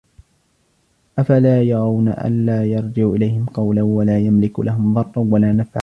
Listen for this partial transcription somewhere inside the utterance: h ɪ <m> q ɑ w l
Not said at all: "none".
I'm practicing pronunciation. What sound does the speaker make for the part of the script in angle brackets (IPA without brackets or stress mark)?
m